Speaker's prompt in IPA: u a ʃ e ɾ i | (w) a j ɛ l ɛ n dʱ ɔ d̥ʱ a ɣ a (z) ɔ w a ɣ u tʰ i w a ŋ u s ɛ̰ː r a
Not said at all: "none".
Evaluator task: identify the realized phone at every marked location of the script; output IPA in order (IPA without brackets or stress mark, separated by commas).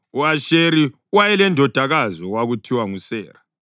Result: w, z